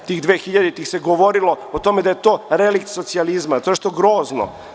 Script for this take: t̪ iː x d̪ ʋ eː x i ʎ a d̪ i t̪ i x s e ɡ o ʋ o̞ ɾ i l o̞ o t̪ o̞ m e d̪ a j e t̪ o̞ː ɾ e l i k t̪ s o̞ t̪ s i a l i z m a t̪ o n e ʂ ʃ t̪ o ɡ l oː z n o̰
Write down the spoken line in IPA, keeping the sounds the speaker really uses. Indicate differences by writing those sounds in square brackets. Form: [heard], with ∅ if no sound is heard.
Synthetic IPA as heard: t̪ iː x d̪ ʋ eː x i ʎ a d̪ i t̪ i x s e ɡ o ʋ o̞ ɾ i l o̞ o t̪ o̞ m e d̪ a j e t̪ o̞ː ɾ e l i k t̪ s o̞ t̪ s i a l i z m a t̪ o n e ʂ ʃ t̪ o ɡ [ɾ] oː z n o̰